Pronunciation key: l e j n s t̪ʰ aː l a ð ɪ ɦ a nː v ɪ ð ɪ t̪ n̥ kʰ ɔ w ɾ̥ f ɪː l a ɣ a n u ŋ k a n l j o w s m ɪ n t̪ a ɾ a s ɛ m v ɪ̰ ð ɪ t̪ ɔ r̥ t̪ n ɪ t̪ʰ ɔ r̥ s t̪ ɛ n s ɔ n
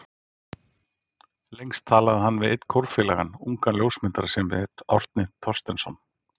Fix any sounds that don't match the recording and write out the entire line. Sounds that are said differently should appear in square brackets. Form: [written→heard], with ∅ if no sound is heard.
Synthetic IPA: l e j [n→ŋ] s t̪ʰ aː l a ð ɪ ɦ a nː v ɪ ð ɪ t̪ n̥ kʰ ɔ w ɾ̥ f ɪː l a ɣ a n u ŋ k a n l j o w s m ɪ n t̪ a ɾ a s ɛ m v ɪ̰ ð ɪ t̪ ɔ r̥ t̪ n ɪ t̪ʰ ɔ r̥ s t̪ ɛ n s ɔ n